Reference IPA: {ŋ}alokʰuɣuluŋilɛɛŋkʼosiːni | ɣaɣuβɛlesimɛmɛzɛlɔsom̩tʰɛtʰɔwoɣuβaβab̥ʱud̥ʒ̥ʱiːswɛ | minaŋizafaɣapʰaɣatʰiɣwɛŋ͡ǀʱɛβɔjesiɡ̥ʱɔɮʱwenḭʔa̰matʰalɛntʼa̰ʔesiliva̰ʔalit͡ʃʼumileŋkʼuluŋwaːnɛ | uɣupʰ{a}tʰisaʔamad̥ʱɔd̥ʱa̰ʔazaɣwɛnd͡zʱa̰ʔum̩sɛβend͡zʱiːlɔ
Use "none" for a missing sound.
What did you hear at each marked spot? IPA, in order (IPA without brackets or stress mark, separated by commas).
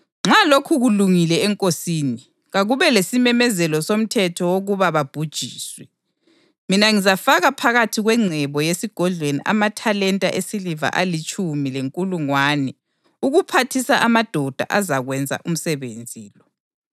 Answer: ŋ͡ǁ, a